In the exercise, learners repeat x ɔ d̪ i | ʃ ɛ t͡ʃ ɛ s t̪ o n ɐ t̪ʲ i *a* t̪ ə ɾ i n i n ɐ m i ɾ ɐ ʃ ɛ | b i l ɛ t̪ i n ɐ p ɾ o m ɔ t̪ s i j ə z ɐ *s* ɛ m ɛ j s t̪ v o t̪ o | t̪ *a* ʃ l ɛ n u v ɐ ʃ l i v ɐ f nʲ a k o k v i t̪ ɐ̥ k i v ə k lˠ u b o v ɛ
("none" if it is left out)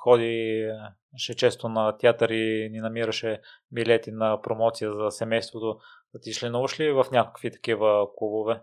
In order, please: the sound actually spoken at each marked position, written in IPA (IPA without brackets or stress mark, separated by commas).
a, s, i